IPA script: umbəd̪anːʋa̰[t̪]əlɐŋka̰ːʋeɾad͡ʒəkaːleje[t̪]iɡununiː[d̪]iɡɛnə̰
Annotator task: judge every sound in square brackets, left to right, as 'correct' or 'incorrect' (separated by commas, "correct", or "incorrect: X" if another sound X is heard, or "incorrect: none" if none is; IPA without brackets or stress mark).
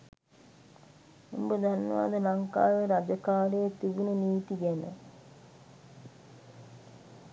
incorrect: d̪, correct, incorrect: t̪